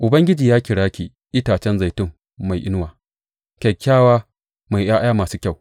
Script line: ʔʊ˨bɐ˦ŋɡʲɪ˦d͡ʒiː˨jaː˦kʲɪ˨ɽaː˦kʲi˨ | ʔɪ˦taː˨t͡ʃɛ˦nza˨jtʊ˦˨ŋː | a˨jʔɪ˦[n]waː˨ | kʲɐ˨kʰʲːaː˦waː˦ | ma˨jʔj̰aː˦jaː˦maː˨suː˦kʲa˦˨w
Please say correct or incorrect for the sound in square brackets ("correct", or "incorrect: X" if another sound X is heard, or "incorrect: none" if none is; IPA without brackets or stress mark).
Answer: correct